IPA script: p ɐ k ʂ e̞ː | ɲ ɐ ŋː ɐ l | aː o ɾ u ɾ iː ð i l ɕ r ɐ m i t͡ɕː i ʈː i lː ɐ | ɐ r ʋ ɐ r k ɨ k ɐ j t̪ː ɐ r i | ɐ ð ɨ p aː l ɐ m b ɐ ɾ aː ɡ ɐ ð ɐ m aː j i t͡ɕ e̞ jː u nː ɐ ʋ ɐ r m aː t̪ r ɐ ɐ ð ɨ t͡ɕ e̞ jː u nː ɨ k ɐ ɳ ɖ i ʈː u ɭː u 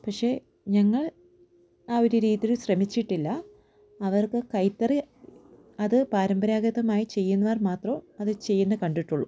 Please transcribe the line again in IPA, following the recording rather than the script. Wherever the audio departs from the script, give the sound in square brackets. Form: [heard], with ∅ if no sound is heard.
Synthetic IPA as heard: p ɐ k ʂ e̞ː | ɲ ɐ ŋː ɐ [ɭ] | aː o ɾ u ɾ iː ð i l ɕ r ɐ m i t͡ɕː i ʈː i lː ɐ | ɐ [∅] ʋ ɐ r k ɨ k ɐ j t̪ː ɐ r i | ɐ ð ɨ p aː [ɾ] ɐ m b ɐ ɾ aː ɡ ɐ ð ɐ m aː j i t͡ɕ e̞ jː u nː ɐ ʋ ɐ r m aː t̪ r ɐ ɐ ð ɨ t͡ɕ e̞ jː u nː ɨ k ɐ ɳ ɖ i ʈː u ɭː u